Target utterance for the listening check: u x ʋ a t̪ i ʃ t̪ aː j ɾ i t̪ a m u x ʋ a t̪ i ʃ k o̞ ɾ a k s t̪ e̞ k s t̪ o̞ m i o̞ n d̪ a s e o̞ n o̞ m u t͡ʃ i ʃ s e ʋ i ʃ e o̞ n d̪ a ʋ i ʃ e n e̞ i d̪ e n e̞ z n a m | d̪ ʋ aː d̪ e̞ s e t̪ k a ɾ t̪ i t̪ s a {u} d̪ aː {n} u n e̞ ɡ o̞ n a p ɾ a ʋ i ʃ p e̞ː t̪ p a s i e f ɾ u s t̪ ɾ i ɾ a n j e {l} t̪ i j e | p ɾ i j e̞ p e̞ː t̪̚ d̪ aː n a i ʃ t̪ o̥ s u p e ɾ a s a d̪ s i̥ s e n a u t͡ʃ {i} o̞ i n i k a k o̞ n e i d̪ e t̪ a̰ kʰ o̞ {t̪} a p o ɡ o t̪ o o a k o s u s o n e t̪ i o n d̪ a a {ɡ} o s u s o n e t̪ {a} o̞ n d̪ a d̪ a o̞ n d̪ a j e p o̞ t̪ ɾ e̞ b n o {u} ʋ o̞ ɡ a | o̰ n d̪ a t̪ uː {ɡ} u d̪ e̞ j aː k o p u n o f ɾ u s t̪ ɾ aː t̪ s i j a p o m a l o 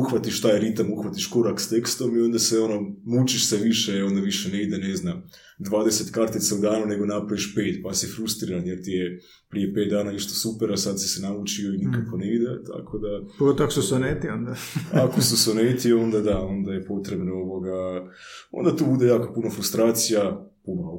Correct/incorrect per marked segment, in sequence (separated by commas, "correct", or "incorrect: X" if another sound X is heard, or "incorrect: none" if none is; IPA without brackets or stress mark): correct, correct, incorrect: ɾ, correct, incorrect: d̪, incorrect: k, incorrect: i, incorrect: o, incorrect: b